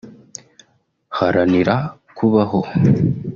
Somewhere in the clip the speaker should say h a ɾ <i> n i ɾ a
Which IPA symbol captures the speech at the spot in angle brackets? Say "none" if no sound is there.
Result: a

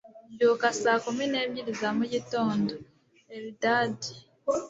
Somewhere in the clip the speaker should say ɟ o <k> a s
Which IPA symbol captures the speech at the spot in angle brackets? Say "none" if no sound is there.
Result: k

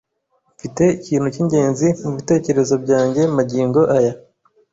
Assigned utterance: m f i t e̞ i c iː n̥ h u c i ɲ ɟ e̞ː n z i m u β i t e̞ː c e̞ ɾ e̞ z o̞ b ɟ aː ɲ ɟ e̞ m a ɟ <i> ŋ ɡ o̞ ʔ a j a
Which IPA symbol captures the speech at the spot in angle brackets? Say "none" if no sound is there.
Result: iː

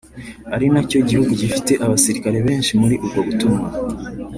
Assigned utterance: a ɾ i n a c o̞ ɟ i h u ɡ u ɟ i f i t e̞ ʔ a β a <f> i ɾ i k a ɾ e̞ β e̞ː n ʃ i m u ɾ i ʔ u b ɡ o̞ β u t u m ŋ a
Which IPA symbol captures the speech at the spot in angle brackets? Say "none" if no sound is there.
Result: s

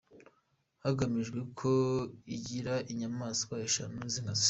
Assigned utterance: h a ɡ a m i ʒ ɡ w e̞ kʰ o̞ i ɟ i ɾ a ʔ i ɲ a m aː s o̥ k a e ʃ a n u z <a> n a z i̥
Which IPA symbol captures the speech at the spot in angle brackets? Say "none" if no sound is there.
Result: i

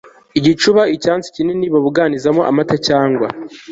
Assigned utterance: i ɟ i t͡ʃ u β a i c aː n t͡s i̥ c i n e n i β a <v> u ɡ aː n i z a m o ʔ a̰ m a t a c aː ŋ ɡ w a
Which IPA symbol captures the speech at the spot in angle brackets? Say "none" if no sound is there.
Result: β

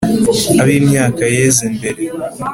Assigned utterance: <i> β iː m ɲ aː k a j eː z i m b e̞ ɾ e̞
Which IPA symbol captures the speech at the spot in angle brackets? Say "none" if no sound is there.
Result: a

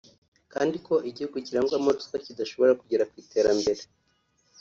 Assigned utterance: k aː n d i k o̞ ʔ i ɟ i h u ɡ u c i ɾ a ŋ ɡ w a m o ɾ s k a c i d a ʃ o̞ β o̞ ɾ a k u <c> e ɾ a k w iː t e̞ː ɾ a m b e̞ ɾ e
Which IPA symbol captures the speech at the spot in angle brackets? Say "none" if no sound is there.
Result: ɟ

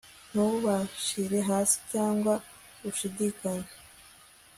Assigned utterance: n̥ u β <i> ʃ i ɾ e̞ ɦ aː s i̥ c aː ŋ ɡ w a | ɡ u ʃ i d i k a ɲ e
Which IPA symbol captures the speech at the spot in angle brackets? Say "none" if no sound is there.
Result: a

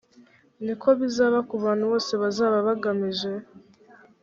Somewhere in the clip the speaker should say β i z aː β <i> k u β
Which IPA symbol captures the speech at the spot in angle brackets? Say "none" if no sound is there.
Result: a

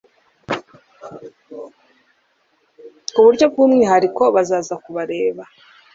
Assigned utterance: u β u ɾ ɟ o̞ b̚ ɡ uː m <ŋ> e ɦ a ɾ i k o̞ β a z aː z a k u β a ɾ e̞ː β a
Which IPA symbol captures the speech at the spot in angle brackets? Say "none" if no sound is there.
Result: ŋ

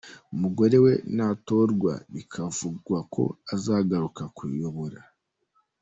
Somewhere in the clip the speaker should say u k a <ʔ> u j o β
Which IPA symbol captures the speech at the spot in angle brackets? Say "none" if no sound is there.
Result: k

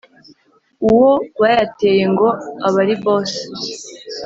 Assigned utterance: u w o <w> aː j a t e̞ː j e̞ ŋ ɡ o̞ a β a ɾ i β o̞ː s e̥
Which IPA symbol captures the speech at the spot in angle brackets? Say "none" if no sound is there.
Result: w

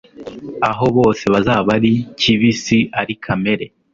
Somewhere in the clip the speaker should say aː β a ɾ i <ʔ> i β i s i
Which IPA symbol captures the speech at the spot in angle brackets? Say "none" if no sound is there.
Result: c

